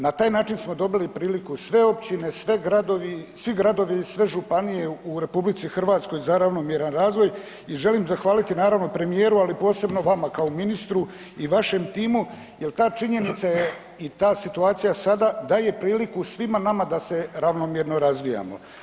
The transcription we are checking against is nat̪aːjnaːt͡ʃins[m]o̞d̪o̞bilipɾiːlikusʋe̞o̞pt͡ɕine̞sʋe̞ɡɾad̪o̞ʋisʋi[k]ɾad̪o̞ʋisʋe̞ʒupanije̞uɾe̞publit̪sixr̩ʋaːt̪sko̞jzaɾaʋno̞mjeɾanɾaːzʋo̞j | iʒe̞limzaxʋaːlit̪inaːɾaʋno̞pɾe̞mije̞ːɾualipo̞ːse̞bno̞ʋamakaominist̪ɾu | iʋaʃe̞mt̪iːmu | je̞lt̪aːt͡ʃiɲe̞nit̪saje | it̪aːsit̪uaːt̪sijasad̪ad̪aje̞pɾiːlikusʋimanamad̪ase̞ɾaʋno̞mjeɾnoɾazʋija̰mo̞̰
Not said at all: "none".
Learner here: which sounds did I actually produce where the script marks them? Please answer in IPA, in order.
m, ɡ

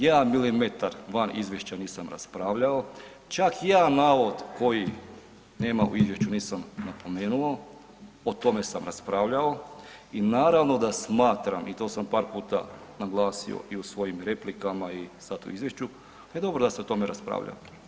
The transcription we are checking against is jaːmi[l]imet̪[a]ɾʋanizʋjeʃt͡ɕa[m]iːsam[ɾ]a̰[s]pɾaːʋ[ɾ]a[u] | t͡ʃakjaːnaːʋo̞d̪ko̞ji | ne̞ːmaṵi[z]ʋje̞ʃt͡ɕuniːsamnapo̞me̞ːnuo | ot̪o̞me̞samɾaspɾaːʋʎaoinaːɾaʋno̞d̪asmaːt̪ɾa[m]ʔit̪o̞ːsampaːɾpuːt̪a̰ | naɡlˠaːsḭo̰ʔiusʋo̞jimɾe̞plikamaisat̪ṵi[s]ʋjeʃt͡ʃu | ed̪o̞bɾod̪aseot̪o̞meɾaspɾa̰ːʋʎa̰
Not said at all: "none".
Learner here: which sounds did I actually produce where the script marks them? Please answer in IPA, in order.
l, a, n, ɾ, s, ʎ, o, z, m, z

